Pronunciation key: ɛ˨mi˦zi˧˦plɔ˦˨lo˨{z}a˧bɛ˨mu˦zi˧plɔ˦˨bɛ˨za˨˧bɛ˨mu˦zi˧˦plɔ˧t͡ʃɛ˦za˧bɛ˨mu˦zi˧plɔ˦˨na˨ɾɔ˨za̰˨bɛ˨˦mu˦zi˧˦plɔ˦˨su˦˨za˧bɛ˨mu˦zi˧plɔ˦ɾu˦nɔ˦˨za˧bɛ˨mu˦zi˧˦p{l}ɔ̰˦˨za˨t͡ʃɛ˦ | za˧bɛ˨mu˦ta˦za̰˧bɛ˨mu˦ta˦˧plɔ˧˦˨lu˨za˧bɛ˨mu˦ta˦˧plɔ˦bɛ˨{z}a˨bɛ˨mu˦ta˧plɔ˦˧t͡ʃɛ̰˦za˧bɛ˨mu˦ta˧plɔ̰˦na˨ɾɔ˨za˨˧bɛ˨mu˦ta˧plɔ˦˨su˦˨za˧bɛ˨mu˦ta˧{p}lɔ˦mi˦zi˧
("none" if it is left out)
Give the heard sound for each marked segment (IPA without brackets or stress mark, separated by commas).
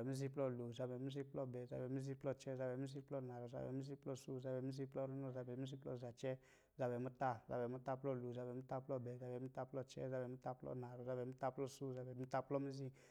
z, l, z, p